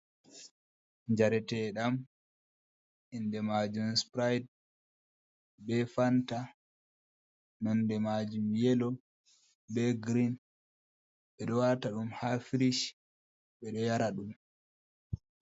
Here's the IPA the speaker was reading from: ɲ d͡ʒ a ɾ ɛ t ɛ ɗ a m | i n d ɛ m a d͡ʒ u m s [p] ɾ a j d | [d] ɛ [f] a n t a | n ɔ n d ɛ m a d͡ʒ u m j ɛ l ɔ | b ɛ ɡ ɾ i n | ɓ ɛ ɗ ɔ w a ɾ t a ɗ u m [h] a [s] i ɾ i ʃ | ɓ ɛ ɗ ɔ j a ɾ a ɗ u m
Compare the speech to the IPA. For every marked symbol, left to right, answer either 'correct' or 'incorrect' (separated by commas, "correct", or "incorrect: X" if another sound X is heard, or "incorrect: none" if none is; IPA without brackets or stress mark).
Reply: correct, incorrect: b, correct, correct, incorrect: f